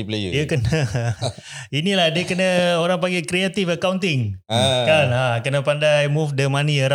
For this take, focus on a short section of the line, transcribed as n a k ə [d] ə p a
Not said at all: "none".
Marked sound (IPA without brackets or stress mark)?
n